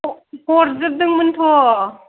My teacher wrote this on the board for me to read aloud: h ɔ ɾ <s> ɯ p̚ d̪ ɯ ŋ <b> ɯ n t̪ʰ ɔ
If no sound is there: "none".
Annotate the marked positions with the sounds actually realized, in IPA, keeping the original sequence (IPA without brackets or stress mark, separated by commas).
z, m